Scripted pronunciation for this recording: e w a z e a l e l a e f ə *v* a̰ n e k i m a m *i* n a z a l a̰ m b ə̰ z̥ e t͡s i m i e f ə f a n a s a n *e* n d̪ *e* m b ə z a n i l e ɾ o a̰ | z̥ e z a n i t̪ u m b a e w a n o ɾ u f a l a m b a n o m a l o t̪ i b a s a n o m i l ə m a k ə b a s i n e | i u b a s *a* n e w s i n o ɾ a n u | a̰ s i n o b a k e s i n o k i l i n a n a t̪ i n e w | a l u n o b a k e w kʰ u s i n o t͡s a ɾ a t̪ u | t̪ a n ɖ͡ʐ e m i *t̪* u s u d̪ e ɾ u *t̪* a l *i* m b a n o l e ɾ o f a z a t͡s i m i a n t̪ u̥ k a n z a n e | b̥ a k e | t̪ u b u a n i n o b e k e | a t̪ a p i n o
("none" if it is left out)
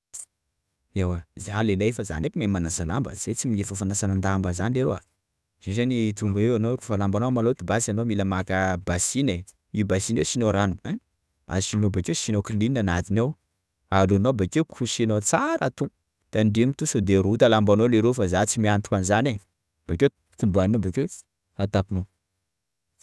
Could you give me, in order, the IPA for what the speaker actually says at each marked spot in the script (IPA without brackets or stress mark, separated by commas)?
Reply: z, a, a, a, i, t̪, t̪, a